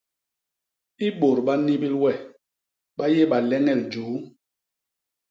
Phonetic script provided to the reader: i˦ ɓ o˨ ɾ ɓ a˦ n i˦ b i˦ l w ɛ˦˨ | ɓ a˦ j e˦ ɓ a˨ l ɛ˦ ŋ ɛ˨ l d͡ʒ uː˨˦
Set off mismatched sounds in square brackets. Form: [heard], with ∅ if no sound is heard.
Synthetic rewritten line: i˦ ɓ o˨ ɾ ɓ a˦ n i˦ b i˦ l w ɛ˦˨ | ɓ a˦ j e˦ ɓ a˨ l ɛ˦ ŋ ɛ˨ l d͡ʒ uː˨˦